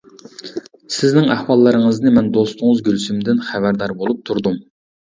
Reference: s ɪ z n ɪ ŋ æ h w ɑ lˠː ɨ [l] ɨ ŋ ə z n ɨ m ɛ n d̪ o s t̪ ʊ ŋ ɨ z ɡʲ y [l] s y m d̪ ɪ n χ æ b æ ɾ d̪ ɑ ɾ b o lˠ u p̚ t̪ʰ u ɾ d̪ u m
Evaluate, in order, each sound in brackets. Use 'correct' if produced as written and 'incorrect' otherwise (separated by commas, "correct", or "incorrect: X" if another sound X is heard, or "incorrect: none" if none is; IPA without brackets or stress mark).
incorrect: ɾ, correct